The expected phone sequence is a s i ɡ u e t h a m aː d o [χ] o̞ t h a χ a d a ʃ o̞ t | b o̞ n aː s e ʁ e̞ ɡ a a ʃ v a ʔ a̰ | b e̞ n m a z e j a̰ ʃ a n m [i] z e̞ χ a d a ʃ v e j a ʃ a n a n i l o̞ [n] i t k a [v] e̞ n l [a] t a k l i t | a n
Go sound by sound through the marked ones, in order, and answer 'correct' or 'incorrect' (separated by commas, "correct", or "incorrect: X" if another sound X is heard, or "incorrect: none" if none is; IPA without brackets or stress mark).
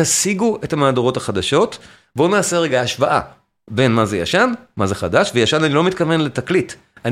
incorrect: ʁ, incorrect: a, incorrect: m, correct, incorrect: e